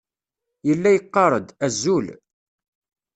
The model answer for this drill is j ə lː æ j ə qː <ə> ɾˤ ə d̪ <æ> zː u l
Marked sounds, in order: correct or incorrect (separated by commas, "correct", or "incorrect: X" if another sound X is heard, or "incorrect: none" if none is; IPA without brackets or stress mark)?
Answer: incorrect: ɑ, correct